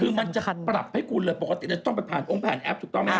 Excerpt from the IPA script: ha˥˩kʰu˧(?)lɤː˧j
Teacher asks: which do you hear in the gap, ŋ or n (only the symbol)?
n